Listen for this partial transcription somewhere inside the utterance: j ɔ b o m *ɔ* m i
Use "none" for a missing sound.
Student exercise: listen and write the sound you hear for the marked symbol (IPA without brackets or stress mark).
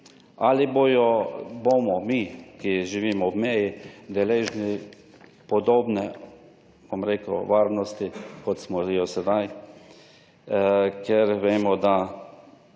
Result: ɔ